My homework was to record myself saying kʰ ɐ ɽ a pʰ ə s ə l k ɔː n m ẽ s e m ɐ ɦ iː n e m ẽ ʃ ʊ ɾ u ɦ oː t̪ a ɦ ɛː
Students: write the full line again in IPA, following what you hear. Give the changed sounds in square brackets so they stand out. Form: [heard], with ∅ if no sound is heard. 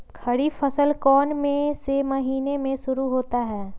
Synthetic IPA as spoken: kʰ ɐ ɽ [i] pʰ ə s ə l k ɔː n m ẽ s e m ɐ ɦ iː n e m ẽ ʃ ʊ ɾ u ɦ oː t̪ a ɦ ɛː